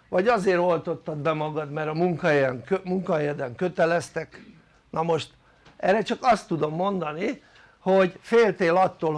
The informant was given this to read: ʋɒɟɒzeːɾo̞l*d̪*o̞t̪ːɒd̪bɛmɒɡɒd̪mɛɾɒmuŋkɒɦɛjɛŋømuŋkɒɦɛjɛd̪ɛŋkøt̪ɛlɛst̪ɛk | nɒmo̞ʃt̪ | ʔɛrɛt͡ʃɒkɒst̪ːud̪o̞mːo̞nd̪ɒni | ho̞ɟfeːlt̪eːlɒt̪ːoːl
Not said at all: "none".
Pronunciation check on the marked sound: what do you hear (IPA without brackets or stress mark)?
t̪